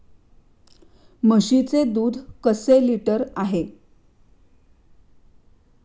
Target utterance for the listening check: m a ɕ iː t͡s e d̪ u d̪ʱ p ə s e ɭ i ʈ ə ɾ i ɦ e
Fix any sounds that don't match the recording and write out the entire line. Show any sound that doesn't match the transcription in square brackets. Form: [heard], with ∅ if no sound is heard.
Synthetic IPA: m [ə] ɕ [i] t͡s e d̪ [uː] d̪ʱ [k] ə s e [l] i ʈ ə ɾ [a] ɦ e